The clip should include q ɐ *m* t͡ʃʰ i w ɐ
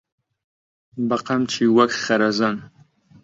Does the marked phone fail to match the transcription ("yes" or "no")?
no